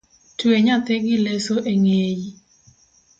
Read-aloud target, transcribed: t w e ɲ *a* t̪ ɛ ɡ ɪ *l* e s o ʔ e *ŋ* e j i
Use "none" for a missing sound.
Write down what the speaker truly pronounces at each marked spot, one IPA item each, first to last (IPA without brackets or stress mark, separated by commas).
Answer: a, l, ŋ